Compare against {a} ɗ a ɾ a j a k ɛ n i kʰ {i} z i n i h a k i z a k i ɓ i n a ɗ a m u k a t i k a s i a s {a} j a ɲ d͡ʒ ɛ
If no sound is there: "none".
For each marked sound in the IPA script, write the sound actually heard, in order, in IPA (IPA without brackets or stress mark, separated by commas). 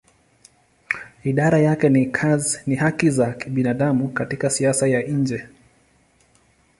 i, a, a